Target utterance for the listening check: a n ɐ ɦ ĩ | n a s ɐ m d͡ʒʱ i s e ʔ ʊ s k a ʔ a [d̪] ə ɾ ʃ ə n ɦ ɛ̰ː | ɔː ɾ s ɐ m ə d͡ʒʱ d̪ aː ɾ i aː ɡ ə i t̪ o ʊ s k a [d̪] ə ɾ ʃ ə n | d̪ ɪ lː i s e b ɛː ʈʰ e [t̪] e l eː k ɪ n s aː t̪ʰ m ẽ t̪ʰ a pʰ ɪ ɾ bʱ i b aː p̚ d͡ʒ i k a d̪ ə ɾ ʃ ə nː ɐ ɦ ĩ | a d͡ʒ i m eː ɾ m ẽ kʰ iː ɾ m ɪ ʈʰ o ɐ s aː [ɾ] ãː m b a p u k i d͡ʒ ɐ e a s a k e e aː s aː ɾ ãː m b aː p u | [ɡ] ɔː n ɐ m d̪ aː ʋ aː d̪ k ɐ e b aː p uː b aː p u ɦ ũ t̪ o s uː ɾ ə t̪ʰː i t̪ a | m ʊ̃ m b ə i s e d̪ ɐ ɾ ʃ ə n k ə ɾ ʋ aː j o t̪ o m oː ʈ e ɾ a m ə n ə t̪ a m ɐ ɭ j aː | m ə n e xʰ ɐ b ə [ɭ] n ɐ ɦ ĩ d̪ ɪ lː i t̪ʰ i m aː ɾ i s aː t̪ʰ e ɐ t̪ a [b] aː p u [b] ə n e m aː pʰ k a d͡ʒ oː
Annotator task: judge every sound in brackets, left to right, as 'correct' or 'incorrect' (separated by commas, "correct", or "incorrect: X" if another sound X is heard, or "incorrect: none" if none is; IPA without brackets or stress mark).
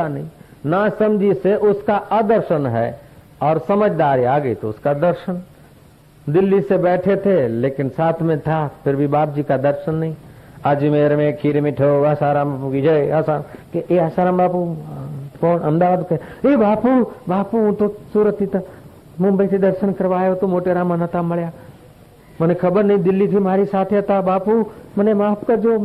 correct, correct, incorrect: t̪ʰ, correct, incorrect: k, incorrect: ɾ, correct, incorrect: m